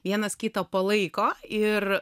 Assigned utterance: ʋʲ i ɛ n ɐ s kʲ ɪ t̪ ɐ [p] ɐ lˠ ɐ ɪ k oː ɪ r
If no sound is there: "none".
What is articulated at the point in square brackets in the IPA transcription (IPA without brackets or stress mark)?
p